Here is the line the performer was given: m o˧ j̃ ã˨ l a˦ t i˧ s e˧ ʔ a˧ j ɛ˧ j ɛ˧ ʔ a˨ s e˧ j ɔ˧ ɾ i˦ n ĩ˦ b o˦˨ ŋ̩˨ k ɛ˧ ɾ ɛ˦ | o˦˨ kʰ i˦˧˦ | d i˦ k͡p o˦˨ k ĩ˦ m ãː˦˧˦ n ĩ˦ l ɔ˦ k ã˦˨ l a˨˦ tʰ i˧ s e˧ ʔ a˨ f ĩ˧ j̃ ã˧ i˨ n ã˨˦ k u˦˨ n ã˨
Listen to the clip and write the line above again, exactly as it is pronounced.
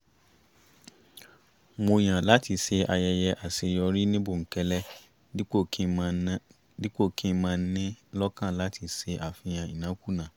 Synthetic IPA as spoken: m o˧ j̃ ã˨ l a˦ t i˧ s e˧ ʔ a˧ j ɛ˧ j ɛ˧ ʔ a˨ s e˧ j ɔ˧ ɾ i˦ n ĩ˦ b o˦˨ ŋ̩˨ k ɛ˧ l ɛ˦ | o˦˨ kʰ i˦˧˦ | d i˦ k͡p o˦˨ k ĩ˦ m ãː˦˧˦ n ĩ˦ l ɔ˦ k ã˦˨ l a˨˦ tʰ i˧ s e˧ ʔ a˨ f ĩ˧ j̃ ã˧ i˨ n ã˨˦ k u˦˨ n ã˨

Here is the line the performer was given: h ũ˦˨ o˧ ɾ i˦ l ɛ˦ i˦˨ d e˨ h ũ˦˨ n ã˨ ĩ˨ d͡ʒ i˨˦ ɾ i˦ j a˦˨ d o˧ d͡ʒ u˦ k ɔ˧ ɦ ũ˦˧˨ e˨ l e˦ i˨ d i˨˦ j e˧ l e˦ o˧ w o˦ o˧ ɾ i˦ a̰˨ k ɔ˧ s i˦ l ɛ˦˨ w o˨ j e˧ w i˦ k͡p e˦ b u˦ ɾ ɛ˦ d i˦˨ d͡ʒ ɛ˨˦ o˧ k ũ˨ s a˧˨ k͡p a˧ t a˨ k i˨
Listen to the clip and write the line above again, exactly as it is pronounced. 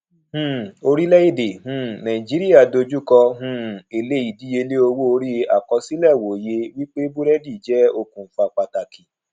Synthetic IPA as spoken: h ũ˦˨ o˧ ɾ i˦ l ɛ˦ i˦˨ d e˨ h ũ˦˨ n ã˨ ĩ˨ d͡ʒ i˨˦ ɾ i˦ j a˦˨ d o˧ d͡ʒ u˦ k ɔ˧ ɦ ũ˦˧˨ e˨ l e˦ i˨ d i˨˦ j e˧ l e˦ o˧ w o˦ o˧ ɾ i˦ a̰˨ k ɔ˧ s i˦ l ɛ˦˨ w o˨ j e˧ w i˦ k͡p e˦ b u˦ ɾ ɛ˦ d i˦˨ d͡ʒ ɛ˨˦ o˧ k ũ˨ f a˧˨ k͡p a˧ t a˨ k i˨

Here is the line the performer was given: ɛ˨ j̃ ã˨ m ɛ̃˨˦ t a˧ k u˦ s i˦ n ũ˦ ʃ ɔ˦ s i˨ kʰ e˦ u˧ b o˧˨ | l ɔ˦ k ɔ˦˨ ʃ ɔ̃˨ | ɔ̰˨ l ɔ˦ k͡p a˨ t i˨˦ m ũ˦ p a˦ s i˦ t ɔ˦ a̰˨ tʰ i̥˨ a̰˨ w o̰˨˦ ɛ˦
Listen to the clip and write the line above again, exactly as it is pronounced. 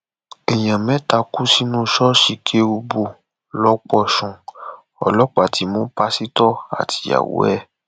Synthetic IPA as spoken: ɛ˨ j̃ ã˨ m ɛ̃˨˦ t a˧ k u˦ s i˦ n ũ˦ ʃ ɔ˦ ʃ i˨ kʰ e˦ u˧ b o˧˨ | l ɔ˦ k͡p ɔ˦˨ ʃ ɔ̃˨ | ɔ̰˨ l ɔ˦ k͡p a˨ t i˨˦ m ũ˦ p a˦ s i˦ t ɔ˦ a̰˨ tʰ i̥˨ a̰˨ w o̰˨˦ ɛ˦

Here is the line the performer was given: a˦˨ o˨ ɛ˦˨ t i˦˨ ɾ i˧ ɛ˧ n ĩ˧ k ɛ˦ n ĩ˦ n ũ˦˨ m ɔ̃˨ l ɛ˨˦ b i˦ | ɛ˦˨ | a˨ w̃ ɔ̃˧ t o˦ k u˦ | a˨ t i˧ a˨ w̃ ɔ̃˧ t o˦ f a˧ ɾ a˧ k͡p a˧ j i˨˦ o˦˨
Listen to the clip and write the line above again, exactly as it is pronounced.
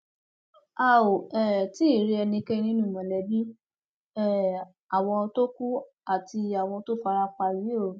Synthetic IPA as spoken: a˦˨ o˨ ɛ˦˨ t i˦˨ ɾ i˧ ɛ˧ n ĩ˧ k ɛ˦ n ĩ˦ n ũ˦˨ m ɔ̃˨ l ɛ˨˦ b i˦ | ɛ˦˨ | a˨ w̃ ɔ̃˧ t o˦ k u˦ | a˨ t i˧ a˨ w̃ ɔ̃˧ t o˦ f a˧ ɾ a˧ k͡p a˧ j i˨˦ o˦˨

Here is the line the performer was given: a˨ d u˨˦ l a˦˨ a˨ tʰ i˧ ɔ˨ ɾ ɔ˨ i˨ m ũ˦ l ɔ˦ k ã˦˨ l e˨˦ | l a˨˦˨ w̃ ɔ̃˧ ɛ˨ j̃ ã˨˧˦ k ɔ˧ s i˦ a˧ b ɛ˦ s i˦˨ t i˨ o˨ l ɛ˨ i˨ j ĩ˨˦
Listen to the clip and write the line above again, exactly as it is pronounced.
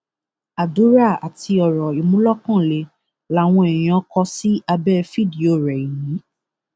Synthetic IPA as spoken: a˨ d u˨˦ ɾ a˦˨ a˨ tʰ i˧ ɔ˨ ɾ ɔ˨ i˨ m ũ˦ l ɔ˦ k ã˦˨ l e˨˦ | l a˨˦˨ w̃ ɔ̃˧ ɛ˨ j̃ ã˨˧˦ k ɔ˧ s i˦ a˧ b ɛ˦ f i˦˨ d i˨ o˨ ɾ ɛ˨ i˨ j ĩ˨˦

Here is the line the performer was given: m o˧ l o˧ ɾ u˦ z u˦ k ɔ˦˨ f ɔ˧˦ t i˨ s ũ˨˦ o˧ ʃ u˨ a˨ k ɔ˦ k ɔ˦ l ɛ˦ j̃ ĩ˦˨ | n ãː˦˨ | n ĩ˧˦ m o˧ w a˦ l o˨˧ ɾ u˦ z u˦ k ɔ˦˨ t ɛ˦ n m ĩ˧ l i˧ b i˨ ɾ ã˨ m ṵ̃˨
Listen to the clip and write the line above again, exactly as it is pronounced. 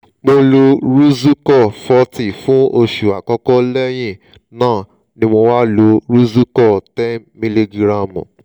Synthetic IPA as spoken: m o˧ l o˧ ɾ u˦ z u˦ k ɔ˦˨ f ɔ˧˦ t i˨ f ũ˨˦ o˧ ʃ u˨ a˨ k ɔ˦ k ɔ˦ l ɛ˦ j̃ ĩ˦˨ | n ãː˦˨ | n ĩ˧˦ m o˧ w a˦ l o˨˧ ɾ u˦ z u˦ k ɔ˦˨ t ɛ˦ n m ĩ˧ l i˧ ɡ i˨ ɾ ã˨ m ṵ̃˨

